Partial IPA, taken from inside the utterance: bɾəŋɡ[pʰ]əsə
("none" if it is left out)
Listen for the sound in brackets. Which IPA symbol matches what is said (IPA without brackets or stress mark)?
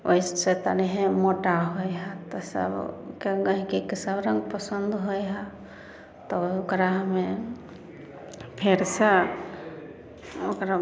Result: p